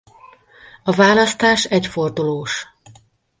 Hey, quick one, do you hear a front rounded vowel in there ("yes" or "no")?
no